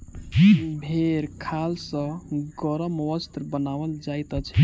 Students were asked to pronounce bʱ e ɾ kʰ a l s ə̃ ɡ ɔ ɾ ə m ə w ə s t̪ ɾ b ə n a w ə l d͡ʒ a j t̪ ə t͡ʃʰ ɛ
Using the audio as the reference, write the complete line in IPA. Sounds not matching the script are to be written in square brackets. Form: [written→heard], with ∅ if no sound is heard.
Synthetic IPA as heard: bʱ e ɾ kʰ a l s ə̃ ɡ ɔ ɾ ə m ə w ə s t̪ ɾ b ə n a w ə l d͡ʒ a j t̪ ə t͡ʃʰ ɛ